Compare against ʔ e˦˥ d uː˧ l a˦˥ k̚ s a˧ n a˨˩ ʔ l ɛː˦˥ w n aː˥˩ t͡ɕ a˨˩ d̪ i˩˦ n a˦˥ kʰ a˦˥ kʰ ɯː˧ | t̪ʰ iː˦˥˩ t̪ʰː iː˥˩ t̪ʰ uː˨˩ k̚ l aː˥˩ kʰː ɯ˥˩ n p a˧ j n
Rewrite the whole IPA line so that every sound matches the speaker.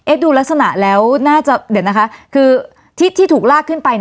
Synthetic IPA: ʔ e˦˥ d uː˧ l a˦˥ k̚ s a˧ n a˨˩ ʔ l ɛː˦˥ w n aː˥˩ t͡ɕ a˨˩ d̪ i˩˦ n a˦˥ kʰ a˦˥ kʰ ɯː˧ | t̪ʰ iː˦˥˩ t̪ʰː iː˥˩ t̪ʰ uː˨˩ k̚ l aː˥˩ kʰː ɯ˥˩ n p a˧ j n